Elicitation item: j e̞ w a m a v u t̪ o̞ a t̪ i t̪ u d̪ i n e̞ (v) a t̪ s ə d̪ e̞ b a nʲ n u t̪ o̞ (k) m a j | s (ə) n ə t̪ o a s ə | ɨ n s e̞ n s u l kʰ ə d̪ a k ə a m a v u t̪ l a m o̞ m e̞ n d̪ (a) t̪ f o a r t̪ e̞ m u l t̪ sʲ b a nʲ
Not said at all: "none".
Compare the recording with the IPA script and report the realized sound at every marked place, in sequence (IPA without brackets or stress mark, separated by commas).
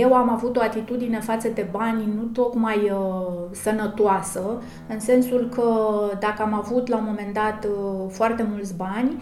f, k, ə, a